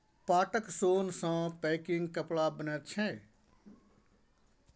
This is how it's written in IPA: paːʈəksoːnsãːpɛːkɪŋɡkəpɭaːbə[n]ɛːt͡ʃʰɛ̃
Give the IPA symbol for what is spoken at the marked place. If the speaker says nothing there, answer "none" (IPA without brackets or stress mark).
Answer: n